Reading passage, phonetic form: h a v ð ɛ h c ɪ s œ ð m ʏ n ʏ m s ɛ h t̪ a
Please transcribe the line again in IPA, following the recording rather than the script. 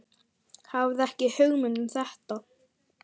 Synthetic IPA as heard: h a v ð ɛ h c ɪ h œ ɣ m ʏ n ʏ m θ ɛ h t̪ a